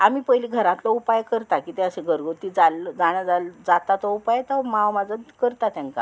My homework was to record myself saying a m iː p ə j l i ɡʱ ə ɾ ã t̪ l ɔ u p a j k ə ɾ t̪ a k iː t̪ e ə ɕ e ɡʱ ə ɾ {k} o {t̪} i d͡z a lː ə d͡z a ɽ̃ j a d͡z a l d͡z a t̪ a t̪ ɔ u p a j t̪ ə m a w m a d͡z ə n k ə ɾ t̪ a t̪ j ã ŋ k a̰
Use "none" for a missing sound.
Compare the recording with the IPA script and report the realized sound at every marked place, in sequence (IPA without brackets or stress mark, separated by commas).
ɡ, t̪